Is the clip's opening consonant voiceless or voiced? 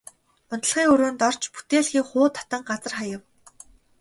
voiced